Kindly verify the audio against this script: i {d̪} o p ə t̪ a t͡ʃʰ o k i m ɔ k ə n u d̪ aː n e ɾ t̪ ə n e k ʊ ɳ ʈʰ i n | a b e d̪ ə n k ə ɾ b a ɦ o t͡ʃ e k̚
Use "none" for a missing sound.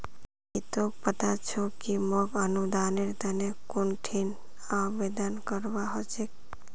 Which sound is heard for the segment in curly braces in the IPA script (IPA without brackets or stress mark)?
t̪